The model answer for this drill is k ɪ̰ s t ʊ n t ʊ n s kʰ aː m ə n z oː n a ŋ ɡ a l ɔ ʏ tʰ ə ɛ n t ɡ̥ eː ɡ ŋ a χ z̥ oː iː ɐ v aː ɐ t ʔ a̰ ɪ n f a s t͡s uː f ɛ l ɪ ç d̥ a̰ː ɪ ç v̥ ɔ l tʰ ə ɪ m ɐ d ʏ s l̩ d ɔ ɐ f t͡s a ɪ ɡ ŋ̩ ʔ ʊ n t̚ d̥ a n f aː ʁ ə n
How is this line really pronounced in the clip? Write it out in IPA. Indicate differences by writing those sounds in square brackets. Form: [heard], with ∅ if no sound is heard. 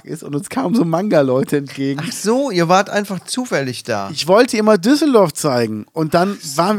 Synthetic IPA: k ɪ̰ s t ʊ n t ʊ n s kʰ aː m ə n z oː [m] a ŋ ɡ a l ɔ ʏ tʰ ə ɛ n t ɡ̥ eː ɡ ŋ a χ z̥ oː iː ɐ v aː ɐ t ʔ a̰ ɪ n f a [χ] t͡s uː f ɛ l ɪ ç d̥ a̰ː ɪ ç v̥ ɔ l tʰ ə ɪ m ɐ d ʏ s l̩ d ɔ ɐ f t͡s a ɪ ɡ ŋ̩ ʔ ʊ n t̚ d̥ a n [v] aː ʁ ə n